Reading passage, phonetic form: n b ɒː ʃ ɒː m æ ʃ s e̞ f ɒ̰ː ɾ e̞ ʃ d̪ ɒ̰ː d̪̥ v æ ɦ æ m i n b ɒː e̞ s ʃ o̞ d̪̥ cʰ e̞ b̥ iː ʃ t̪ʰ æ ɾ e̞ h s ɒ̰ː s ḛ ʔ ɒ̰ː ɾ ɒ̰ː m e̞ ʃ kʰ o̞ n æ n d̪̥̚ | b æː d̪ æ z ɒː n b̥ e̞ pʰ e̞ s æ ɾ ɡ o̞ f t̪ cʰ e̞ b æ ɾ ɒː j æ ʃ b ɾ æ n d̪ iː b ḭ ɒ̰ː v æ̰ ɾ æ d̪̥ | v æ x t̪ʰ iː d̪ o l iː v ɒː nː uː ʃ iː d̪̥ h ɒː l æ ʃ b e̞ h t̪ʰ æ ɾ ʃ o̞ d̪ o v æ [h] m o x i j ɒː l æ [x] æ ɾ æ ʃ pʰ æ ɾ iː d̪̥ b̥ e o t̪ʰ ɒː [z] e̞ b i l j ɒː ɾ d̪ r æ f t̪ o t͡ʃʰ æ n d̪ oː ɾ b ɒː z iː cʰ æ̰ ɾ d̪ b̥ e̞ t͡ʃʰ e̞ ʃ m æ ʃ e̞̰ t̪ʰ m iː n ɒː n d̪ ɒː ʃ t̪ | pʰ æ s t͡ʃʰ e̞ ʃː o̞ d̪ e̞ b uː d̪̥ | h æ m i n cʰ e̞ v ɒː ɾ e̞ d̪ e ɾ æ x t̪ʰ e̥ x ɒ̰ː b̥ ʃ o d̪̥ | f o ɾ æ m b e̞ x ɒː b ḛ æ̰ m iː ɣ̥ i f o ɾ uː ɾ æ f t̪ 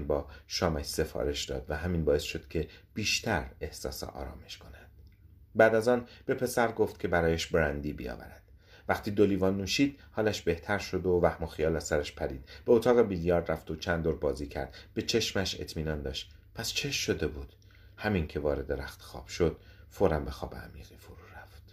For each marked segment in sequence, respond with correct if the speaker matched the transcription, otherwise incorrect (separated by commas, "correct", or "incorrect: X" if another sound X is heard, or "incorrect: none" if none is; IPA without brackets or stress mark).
correct, incorrect: s, incorrect: ɣ